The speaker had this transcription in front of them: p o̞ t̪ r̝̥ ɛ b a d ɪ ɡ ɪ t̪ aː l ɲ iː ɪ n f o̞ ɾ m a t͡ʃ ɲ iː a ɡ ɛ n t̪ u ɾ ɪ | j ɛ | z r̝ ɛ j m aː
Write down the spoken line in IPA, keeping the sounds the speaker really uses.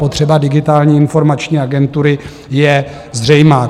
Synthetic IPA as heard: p o̞ t̪ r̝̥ ɛ b a d ɪ ɡ ɪ t̪ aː l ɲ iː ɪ n f o̞ ɾ m a t͡ʃ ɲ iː a ɡ ɛ n t̪ u ɾ ɪ | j ɛ | z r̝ ɛ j m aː

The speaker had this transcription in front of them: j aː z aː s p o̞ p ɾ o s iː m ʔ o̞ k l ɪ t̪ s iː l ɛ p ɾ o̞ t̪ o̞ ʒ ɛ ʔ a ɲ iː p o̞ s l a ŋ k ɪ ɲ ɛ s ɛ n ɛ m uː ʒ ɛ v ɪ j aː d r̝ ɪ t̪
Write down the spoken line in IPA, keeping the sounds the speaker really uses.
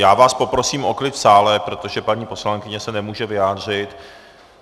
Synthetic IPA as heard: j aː v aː s p o̞ p ɾ o s iː m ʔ o̞ k l ɪ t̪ s aː l ɛ p ɾ o̞ t̪ o̞ ʒ ɛ p a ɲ iː p o̞ s l a ŋ k ɪ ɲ ɛ s ɛ n ɛ m uː ʒ ɛ v ɪ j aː d r̝ ɪ t̪

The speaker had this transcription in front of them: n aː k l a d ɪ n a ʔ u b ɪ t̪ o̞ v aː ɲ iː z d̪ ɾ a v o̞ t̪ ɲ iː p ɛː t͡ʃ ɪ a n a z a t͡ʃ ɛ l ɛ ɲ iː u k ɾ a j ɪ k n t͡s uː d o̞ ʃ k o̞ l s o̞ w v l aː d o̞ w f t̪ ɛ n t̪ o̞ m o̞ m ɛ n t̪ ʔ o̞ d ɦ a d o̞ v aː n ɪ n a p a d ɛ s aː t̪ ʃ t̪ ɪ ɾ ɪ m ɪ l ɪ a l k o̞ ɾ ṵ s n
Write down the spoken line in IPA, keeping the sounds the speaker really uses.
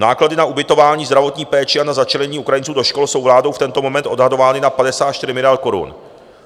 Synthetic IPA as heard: n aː k l a d ɪ n a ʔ u b ɪ t̪ o̞ v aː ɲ iː z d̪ ɾ a v o̞ t̪ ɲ iː p ɛː t͡ʃ ɪ a n a z a t͡ʃ ɛ l ɛ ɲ iː u k ɾ a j ɪ n t͡s uː d o̞ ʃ k o̞ l s o̞ w v l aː d o̞ w f t̪ ɛ n t̪ o̞ m o̞ m ɛ n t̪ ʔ o̞ d ɦ a d o̞ v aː n ɪ n a p a d ɛ s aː t̪ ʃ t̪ ɪ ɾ ɪ m ɪ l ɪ a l k o̞ ɾ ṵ n

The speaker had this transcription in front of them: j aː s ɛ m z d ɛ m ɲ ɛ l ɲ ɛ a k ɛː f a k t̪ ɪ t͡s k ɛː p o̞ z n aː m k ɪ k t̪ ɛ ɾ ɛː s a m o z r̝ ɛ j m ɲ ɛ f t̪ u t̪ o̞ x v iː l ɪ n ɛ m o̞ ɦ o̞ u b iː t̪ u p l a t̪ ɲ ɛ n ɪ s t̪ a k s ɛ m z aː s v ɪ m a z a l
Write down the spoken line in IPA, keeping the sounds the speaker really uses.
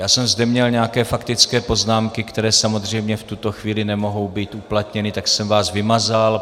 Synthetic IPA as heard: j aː s ɛ m z d ɛ m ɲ ɛ l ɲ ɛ a k ɛː f a k t̪ ɪ t͡s k ɛː p o̞ z n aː m k ɪ k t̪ ɛ ɾ ɛː s a m o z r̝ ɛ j m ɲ ɛ f t̪ u t̪ o̞ x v iː l ɪ n ɛ m o̞ ɦ o̞ w b iː t̪ u p l a t̪ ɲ ɛ n ɪ t̪ a k s ɛ m v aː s v ɪ m a z a l

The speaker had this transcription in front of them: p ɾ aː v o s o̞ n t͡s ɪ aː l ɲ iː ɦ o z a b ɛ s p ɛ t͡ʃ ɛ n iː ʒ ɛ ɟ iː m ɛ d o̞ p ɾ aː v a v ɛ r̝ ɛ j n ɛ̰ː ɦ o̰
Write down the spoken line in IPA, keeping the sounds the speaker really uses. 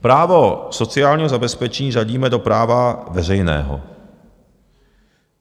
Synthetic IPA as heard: p ɾ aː v o s o̞ t͡s ɪ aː l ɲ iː ɦ o z a b ɛ s p ɛ t͡ʃ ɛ ɲ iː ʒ a ɟ iː m ɛ d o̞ p ɾ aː v a v ɛ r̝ ɛ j n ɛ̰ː ɦ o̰

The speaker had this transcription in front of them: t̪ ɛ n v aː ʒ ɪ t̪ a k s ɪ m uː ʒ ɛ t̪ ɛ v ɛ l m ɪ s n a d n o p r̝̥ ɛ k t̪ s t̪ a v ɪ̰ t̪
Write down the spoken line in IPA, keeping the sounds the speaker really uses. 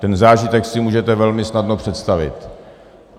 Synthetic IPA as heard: t̪ ɛ n z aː ʒ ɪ t̪ ɛ k s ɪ m uː ʒ ɛ t̪ ɛ v ɛ l m ɪ s n a d n o p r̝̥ ɛ t̪ s t̪ a v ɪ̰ t̪

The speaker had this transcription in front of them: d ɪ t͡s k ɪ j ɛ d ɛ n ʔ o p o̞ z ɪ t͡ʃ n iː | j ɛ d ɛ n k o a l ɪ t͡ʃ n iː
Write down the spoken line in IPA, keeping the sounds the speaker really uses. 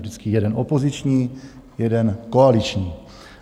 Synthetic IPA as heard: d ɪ t͡s k ɪ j ɛ d ɛ n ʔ o p o̞ z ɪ t͡ʃ ɲ iː | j ɛ d ɛ n k o a l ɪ t͡ʃ ɲ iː

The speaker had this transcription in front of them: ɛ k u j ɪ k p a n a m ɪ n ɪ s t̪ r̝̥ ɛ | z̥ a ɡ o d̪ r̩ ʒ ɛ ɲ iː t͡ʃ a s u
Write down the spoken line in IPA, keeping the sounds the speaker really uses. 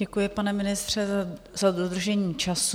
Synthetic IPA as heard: ɛ k u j ɪ p a n ɛ m ɪ n ɪ s t̪ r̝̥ ɛ | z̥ a d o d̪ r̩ ʒ ɛ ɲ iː t͡ʃ a s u

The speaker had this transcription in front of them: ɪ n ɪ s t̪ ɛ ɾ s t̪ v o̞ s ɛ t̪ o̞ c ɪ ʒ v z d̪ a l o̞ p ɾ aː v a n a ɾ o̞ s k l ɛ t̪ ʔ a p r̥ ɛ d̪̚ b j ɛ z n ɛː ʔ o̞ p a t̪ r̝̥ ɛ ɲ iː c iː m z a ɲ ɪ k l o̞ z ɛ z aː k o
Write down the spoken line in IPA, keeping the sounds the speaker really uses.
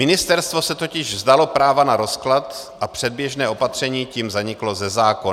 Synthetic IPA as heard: ɪ n ɪ s t̪ ɛ ɾ s t̪ v o̞ s ɛ t̪ o̞ c ɪ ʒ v z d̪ a l o̞ p ɾ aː v a n a ɾ o̞ s k l a t̪ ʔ a p r̥ ɛ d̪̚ b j ɛ ʒ n ɛː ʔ o̞ p a t̪ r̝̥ ɛ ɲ iː c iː m z a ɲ ɪ k l o̞ z ɛ z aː k o

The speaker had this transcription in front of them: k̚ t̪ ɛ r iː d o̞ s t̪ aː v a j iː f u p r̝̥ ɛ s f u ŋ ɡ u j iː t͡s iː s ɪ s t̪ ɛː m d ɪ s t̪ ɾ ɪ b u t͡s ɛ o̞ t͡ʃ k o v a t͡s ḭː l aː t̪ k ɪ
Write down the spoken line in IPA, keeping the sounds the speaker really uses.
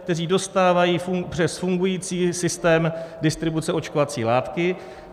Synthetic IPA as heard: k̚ t̪ ɛ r iː d o̞ s t̪ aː v a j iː f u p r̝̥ ɛ s f u ŋ ɡ u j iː t͡s iː s ɪ s t̪ ɛː m d ɪ s t̪ ɾ ɪ b u t͡s ɛ o̞ t͡ʃ k o v a t͡s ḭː l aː t̪ k ɪ

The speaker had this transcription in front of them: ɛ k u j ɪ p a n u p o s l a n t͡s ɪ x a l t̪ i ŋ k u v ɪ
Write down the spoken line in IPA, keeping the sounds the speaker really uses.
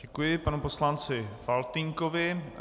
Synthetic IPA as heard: ɛ k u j ɪ p a n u p o s l a n t͡s ɪ f a l t̪ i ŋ k o v ɪ

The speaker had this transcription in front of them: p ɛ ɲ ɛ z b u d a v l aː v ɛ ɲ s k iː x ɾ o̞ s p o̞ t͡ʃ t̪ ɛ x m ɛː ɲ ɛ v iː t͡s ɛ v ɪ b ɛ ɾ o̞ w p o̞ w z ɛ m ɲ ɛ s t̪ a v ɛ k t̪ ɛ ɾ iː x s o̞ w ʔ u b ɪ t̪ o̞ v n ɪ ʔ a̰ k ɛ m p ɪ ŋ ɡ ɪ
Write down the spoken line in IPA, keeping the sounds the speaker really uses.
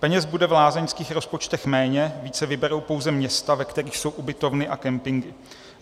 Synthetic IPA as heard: p ɛ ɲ ɛ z b u d ɛ v l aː z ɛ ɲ s k iː x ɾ o̞ s p o̞ t͡ʃ t̪ ɛ x m ɛː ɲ ɛ v iː t͡s ɛ v ɪ b ɛ ɾ o̞ w p o̞ w z ɛ m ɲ ɛ s t̪ a v ɛ k t̪ ɛ ɾ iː x s o̞ w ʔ u b ɪ t̪ o̞ v n ɪ ʔ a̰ k ɛ m p ɪ ŋ ɡ ɪ

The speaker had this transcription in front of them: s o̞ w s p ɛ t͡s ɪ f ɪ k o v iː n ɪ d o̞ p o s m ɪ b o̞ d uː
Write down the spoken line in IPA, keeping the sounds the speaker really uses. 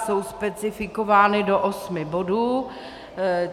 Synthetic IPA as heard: s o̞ w s p ɛ t͡s ɪ f ɪ k o v aː n ɪ d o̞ ʔ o s m ɪ b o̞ d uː

